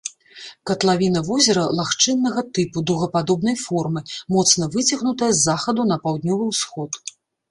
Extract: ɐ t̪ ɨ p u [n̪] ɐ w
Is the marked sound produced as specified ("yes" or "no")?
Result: no